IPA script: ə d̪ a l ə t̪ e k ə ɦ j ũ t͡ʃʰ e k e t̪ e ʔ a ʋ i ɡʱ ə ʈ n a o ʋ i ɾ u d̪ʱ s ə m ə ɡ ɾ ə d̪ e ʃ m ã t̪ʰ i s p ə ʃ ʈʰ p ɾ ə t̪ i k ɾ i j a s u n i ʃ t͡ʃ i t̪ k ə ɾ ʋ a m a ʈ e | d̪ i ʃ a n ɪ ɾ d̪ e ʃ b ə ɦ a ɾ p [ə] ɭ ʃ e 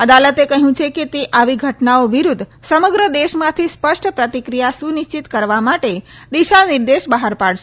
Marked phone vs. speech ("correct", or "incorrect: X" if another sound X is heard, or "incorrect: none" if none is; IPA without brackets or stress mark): incorrect: a